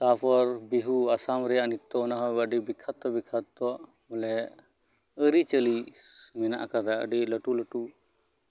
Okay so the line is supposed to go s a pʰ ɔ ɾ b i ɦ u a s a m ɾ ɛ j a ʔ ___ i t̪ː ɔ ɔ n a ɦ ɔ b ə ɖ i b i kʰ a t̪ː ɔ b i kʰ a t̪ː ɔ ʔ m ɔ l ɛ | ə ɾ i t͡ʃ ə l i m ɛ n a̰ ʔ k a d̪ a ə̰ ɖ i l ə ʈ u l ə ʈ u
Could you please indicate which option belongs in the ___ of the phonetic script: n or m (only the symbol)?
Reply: n